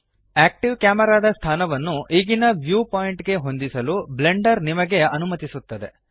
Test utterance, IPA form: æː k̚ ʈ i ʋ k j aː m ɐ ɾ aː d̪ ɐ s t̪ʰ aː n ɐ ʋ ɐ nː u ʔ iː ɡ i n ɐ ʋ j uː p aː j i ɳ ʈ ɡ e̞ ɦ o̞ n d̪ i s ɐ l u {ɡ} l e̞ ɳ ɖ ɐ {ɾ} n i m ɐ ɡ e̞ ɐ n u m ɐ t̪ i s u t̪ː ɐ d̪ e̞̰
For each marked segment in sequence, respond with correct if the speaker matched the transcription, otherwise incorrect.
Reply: incorrect, correct

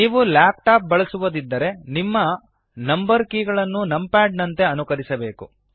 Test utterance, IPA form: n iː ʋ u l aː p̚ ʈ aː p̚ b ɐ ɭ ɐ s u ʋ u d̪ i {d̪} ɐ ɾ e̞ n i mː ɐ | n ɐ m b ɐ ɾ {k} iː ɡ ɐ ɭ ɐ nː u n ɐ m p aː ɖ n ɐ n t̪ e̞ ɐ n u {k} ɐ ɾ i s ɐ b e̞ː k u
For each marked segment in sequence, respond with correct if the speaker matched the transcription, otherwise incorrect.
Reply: incorrect, correct, correct

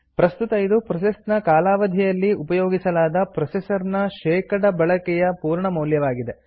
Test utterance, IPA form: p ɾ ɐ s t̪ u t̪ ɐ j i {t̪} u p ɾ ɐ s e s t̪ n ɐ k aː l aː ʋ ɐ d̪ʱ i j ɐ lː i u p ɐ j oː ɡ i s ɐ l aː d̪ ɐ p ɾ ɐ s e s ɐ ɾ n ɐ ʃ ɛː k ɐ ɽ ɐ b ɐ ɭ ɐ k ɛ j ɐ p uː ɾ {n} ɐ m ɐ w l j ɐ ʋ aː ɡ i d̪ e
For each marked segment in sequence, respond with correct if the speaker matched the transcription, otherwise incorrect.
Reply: incorrect, incorrect

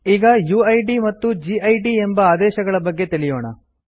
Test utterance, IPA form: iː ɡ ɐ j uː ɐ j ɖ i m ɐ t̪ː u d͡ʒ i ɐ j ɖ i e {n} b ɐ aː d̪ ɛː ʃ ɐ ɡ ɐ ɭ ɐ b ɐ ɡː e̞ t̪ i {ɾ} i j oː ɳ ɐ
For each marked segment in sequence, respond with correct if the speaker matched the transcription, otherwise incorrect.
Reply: incorrect, incorrect

